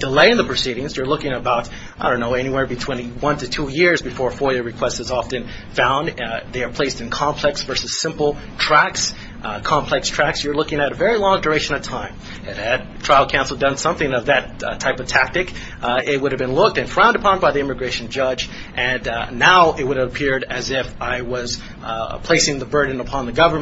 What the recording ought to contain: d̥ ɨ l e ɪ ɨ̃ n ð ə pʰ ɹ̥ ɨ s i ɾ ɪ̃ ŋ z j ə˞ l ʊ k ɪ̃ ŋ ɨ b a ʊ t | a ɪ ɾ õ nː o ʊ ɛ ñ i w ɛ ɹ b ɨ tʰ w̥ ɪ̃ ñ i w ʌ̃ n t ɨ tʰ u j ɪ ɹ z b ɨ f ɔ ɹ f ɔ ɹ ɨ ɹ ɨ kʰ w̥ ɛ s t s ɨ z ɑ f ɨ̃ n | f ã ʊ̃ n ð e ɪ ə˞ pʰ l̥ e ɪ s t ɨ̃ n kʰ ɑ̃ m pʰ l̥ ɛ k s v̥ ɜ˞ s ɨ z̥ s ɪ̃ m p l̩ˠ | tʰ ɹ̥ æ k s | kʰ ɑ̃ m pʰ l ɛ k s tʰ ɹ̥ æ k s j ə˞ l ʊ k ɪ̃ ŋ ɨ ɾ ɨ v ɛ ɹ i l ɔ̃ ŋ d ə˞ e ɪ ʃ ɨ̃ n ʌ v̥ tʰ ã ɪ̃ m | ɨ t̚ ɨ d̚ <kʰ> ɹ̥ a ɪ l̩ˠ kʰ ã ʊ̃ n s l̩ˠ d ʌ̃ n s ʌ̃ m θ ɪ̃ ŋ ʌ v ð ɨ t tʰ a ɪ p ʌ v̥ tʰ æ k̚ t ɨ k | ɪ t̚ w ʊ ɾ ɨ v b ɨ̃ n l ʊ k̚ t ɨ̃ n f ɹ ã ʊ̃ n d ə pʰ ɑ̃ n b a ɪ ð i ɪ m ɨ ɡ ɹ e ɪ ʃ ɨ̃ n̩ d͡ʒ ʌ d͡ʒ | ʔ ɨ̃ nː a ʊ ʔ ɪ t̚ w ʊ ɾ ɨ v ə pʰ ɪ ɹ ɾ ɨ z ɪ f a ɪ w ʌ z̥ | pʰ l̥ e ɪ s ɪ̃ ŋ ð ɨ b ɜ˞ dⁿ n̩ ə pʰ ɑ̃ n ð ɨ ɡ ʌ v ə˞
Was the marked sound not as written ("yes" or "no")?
yes